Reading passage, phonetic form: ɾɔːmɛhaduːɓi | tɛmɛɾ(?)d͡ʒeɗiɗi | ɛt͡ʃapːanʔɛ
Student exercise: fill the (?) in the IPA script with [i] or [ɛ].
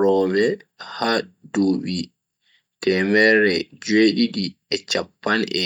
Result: ɛ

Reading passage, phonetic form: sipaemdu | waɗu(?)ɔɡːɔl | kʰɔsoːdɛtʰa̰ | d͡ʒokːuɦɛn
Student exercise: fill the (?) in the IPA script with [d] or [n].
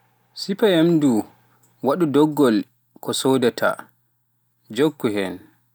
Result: d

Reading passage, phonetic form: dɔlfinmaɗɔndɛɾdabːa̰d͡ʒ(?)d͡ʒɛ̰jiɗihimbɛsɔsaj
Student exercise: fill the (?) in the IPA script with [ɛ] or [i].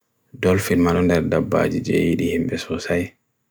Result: i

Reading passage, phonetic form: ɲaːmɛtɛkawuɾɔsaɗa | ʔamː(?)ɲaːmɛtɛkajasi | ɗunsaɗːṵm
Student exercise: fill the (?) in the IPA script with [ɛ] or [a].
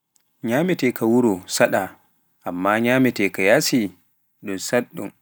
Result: a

